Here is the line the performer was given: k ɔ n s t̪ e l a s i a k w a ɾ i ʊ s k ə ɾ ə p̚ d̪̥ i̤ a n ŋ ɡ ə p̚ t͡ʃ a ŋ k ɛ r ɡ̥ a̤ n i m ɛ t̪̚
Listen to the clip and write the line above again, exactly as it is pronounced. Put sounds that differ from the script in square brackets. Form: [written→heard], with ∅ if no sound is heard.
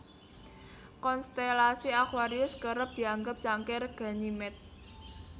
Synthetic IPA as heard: k ɔ n s t̪ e l a s i a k w a ɾ i ʊ s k ə ɾ ə p̚ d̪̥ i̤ a [n→∅] ŋ ɡ ə p̚ t͡ʃ a ŋ k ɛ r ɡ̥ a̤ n i m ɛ t̪̚